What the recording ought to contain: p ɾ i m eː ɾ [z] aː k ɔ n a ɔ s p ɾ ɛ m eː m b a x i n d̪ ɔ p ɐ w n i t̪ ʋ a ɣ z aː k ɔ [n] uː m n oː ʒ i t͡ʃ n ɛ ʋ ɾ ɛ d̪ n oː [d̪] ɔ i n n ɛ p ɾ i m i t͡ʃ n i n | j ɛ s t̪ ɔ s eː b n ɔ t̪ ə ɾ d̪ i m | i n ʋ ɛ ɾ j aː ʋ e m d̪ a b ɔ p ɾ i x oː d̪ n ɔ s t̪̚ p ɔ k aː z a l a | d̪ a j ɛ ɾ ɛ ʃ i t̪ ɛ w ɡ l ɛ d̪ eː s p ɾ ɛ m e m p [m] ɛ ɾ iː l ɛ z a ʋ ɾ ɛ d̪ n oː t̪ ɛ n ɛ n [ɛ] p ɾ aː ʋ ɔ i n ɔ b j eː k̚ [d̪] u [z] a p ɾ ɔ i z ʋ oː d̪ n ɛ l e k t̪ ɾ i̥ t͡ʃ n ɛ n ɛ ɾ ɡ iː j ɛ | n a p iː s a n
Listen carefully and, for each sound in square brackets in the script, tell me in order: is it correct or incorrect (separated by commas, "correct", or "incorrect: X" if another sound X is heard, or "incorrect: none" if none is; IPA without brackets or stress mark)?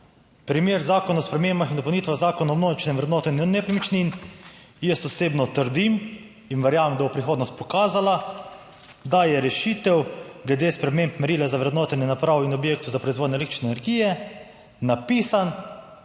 correct, correct, incorrect: t̪, correct, incorrect: a, incorrect: t̪, correct